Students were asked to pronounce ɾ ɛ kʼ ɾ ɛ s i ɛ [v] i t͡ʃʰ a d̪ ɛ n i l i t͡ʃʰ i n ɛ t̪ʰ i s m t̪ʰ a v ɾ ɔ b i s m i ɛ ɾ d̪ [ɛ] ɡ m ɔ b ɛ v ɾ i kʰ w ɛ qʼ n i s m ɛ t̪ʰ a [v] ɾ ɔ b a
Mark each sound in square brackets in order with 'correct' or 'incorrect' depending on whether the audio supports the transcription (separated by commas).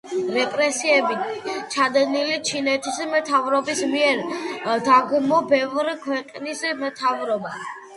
incorrect, incorrect, correct